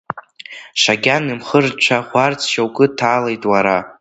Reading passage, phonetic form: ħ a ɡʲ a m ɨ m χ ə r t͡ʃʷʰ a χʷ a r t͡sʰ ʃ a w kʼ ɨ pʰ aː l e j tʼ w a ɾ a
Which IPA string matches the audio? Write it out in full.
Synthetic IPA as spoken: ʂ a ɡʲ a n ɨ m χ ə r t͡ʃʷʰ a χʷ a r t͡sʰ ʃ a w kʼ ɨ tʰ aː l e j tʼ w a ɾ a